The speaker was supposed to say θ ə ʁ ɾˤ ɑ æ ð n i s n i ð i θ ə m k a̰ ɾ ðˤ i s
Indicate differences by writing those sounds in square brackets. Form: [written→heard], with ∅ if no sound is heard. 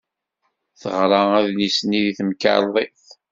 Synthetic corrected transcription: θ ə ʁ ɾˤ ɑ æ ð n i s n i ð i θ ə m k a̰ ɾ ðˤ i [s→θ]